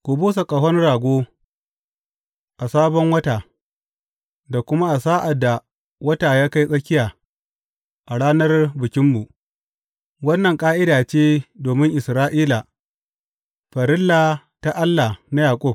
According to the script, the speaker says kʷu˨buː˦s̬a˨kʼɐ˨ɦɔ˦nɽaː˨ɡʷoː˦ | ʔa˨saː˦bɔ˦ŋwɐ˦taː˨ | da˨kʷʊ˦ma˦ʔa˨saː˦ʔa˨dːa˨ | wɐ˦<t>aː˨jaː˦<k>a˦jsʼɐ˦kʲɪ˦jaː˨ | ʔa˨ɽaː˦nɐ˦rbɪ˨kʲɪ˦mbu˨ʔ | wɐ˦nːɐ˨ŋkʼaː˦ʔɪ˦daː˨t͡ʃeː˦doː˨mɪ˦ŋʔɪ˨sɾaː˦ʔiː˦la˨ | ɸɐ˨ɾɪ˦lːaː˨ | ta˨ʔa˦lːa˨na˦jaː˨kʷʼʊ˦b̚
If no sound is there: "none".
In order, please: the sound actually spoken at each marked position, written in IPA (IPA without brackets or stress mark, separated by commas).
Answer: t, k